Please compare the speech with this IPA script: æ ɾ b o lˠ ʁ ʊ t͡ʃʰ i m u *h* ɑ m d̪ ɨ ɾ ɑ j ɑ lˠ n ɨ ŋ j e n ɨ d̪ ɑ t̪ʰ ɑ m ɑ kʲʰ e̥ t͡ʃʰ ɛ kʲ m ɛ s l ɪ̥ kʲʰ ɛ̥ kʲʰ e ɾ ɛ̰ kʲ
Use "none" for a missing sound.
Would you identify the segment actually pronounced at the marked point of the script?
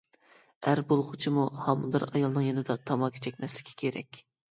h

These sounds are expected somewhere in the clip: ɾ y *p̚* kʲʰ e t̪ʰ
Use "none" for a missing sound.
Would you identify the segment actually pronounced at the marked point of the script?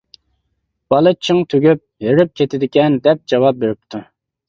p̚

